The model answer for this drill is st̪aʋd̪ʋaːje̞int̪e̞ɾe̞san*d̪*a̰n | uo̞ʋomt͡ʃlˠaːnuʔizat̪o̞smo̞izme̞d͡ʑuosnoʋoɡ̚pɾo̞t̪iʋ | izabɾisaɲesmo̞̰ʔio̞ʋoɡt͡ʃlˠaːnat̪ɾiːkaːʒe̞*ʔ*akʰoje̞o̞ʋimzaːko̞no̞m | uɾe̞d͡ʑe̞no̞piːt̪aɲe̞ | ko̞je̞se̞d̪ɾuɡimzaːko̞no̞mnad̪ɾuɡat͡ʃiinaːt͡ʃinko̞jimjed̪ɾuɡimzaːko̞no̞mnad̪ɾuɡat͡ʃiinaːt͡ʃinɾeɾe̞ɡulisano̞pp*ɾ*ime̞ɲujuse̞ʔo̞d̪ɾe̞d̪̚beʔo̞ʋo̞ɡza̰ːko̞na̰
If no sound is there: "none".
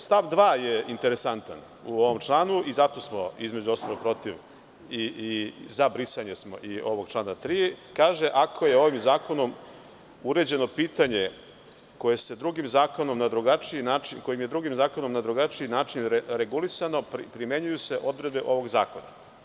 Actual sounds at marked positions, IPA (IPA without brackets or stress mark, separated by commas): t̪, ʔ, ɾ